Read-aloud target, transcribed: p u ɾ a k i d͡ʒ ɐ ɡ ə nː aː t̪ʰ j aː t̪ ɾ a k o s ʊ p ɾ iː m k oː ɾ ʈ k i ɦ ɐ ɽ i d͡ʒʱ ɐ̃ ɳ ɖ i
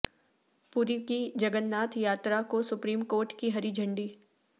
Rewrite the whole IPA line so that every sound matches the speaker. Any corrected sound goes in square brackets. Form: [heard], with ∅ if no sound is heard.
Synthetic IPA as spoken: p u ɾ [i] k i d͡ʒ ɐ ɡ ə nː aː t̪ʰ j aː t̪ ɾ a k o s ʊ p ɾ iː m k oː ɾ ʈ k i ɦ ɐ [ɾ] i d͡ʒʱ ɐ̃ ɳ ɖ i